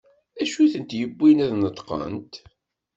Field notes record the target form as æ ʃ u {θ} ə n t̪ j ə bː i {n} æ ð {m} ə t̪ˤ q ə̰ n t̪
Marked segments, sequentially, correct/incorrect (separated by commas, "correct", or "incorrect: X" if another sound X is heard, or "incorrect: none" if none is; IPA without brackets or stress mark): correct, correct, incorrect: n